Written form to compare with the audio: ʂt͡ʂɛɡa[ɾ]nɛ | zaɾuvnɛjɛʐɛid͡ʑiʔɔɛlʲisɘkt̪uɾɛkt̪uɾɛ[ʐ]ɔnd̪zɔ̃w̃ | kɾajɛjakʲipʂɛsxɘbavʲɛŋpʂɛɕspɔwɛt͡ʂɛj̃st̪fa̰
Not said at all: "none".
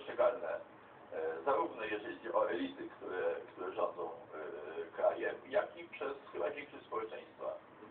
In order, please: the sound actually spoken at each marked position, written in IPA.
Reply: l, ʐ

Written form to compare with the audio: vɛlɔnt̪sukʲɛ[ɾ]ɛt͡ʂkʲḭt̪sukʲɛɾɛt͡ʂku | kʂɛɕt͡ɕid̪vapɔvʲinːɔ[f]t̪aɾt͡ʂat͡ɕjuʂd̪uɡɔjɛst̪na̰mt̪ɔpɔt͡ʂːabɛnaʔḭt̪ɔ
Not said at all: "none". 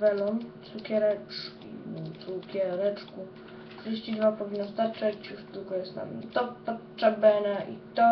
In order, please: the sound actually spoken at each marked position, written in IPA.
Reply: ɾ, s

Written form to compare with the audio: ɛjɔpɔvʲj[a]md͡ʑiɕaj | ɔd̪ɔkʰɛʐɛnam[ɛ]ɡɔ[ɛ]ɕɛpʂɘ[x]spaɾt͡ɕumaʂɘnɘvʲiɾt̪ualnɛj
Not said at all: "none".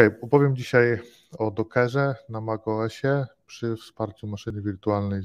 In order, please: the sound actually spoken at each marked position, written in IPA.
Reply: ɛ, a, ɛ, f

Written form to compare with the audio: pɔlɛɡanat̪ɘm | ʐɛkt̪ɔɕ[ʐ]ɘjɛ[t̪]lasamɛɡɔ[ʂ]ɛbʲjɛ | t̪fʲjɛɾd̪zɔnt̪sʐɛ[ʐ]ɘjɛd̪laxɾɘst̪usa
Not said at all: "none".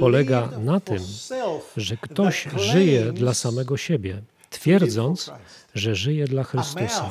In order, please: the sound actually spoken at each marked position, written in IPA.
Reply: ʐ, d̪, ɕ, ʐ

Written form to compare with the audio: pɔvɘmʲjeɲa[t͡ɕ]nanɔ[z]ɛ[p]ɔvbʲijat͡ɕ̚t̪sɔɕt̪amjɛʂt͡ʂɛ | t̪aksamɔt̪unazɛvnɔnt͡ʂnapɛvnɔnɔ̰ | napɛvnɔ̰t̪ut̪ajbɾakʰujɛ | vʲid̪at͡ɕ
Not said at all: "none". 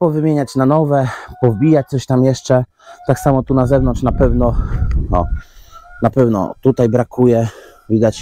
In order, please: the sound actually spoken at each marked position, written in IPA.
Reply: t͡ɕ, v, p

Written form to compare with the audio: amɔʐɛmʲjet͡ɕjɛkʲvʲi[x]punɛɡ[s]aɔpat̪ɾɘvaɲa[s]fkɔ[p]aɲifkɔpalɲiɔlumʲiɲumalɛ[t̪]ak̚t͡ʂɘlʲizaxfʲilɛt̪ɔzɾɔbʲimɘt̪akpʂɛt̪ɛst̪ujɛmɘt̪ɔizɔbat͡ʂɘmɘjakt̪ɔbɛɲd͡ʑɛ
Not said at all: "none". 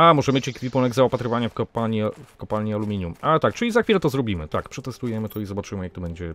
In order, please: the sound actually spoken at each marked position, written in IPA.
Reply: none, z, none, p, t̪

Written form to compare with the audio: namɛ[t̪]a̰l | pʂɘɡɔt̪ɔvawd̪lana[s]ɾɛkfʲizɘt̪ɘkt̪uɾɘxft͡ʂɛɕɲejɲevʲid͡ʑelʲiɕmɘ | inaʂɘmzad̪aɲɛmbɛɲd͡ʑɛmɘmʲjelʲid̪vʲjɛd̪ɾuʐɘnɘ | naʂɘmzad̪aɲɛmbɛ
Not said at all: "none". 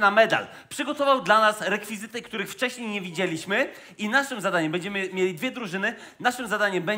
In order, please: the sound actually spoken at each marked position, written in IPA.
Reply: d̪, s

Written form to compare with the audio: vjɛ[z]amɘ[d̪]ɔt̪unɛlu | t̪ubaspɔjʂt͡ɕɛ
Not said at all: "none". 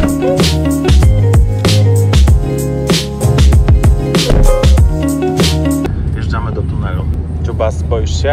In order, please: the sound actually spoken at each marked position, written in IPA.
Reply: ʐ, d̪

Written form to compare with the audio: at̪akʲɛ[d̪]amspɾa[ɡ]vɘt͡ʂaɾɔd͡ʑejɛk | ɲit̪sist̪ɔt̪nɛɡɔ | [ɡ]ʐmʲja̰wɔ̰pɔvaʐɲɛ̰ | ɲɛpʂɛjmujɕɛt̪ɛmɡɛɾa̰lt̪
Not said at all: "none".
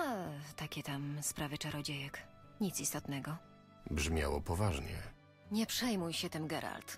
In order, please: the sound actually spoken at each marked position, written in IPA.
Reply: t̪, none, b

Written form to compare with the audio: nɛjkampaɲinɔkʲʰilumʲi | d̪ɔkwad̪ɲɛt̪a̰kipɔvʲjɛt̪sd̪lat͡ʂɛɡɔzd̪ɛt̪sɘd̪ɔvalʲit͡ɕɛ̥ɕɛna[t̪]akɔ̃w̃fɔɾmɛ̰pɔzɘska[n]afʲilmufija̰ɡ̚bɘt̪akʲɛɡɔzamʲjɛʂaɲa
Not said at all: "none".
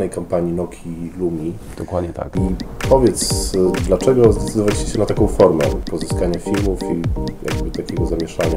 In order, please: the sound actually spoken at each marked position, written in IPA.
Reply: t̪, ɲ

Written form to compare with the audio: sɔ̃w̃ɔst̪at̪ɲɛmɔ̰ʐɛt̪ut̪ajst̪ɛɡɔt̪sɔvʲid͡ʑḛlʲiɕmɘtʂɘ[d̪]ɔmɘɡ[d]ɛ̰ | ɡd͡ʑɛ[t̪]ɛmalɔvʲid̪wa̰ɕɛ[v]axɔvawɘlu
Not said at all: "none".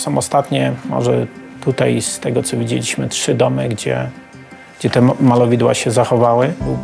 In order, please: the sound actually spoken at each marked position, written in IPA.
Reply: d̪, d͡ʑ, t̪, z

